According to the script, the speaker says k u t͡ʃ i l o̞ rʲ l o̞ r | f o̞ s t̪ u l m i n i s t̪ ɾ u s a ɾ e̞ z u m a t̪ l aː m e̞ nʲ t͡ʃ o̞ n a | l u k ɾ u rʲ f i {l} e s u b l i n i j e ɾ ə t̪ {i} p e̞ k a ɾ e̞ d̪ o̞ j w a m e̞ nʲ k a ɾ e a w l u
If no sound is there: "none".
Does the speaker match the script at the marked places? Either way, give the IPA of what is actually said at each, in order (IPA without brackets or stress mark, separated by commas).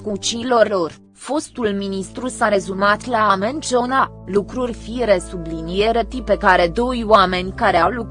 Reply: ɾ, i